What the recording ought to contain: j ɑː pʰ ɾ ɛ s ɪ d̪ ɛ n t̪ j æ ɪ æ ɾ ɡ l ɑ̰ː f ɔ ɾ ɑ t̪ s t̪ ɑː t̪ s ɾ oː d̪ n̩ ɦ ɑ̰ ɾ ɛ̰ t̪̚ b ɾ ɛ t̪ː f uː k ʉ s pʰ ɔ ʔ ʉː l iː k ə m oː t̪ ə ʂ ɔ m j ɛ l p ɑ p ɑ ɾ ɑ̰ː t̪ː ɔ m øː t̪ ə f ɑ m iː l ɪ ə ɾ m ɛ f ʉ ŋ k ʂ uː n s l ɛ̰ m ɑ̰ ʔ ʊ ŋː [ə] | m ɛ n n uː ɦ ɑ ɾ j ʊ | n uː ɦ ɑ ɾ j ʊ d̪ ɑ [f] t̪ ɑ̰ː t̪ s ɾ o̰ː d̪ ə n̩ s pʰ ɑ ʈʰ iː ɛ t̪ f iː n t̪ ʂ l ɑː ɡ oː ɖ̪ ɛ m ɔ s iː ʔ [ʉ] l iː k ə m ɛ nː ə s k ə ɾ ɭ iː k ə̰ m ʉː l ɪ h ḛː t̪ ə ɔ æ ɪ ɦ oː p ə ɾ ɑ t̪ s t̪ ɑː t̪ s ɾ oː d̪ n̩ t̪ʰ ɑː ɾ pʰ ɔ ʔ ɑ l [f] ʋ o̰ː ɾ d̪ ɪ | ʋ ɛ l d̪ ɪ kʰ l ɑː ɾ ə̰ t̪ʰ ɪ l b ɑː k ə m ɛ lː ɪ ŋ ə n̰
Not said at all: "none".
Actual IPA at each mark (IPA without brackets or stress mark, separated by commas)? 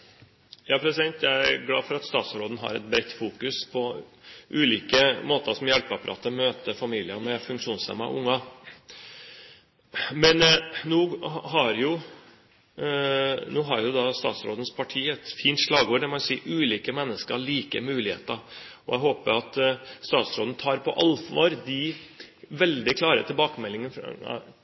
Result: ɑ, s, ʉː, f